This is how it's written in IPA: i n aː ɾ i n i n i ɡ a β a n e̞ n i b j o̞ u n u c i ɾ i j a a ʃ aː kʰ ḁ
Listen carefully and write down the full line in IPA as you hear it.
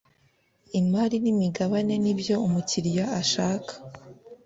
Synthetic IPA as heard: i m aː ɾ i n i m i ɡ a β a n e̞ n i b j o̞ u m u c i ɾ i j a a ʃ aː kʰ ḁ